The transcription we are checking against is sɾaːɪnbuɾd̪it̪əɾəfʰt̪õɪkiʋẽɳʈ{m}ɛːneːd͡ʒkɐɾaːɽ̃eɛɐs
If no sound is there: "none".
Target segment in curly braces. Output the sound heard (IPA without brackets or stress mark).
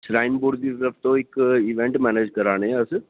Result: m